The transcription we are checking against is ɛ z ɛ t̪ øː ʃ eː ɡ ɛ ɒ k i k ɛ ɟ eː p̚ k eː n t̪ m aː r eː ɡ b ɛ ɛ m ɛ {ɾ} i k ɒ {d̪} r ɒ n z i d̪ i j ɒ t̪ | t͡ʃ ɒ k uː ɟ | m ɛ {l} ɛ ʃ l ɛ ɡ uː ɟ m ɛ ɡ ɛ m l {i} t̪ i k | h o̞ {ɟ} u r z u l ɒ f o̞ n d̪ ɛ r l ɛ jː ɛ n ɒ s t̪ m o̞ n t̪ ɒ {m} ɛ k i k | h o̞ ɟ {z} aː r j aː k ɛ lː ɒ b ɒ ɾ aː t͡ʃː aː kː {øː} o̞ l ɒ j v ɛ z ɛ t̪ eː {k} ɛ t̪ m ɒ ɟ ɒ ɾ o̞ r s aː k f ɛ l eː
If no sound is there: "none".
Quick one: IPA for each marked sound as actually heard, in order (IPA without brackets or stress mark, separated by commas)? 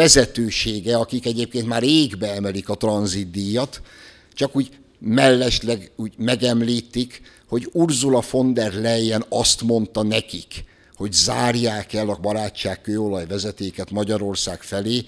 l, t̪, lː, iː, ɟ, n, z, øː, k